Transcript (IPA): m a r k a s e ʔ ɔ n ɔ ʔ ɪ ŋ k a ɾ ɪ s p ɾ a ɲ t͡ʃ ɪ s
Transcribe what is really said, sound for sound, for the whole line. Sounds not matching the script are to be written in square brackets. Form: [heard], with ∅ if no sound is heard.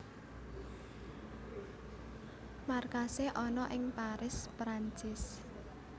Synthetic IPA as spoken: m a r k a s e ʔ ɔ n ɔ ʔ ɪ ŋ [p] a ɾ ɪ s p ɾ a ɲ t͡ʃ ɪ s